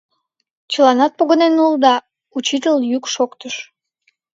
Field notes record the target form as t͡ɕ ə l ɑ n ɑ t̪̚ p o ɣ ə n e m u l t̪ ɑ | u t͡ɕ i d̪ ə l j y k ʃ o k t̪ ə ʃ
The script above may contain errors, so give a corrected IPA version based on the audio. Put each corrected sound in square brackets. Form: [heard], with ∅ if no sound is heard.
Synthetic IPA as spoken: t͡ɕ ə l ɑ n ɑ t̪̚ p o ɣ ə n e [n] u l [d̪] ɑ | u t͡ɕ i [t̪] ə l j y k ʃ o k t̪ ə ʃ